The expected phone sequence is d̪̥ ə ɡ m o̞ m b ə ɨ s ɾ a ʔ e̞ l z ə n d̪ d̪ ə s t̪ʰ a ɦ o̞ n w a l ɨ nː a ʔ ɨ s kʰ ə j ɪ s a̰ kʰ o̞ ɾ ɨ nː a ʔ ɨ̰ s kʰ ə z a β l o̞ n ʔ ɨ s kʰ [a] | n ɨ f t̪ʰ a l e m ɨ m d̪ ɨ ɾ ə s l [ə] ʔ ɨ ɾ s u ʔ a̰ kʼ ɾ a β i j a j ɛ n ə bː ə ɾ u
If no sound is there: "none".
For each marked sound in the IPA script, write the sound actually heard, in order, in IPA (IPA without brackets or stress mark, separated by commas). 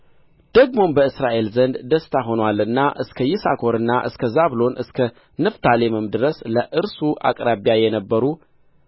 ə, ə